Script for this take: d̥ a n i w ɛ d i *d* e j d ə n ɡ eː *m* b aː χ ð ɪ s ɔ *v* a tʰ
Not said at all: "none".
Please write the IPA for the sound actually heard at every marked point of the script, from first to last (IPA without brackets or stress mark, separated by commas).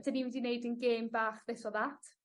n, m, ð